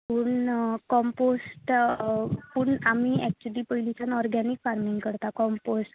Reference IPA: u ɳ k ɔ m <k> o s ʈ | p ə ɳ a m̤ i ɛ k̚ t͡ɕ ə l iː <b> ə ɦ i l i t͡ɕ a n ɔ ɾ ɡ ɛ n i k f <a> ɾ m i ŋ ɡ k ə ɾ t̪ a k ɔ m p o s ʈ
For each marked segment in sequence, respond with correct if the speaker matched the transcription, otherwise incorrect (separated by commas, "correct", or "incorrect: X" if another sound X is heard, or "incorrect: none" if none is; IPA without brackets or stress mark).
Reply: incorrect: p, incorrect: p, correct